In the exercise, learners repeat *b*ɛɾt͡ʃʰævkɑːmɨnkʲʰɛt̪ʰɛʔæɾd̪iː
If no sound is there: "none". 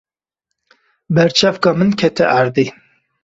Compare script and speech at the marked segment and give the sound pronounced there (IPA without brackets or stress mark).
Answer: b